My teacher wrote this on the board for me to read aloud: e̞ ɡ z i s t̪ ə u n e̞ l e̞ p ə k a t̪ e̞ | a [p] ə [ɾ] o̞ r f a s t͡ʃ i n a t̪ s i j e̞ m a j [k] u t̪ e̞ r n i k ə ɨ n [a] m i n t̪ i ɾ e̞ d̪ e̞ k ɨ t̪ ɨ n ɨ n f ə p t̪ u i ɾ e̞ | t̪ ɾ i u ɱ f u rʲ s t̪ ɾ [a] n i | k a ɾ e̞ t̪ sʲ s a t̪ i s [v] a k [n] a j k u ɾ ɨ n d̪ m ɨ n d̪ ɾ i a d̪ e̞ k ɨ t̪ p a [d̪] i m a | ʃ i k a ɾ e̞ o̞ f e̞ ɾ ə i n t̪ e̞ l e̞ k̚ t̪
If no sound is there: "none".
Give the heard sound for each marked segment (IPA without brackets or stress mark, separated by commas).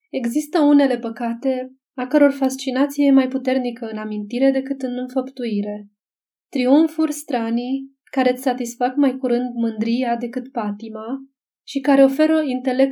k, ɾ, p, a, a, f, m, t̪